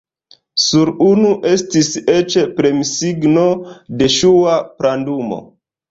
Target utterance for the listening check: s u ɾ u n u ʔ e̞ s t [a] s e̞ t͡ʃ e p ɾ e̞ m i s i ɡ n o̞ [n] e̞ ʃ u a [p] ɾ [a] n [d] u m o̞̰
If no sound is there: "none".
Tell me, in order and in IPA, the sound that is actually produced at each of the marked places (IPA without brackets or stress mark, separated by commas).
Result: i, d, p, a, d